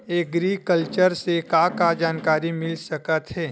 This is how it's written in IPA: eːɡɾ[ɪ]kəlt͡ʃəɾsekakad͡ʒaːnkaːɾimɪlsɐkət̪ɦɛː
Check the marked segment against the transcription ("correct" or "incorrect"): incorrect